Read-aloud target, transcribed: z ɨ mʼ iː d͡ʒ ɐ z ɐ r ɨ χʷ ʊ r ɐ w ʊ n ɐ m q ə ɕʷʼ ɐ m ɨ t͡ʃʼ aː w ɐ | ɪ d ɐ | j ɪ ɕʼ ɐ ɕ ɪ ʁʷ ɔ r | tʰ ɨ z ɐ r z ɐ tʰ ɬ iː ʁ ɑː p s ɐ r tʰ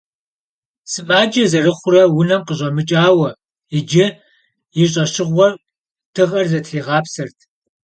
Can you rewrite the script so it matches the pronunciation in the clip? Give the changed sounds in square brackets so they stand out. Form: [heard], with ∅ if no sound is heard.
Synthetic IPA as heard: [s] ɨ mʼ [aː] d͡ʒ ɐ z ɐ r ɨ χʷ ʊ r ɐ w ʊ n ɐ m q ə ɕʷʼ ɐ m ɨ t͡ʃʼ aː w ɐ | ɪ [d͡ʒ] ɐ | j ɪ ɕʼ ɐ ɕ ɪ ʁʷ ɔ r | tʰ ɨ [ʁ] ɐ r z ɐ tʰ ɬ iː ʁ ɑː p s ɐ r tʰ